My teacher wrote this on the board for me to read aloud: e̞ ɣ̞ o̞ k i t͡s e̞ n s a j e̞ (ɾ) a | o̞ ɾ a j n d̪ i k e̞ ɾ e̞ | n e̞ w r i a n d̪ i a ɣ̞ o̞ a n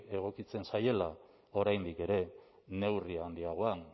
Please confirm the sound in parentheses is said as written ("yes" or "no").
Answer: no